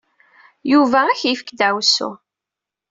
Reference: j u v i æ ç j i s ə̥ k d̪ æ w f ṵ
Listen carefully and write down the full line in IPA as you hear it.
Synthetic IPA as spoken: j u v æ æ ç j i f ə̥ k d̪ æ w s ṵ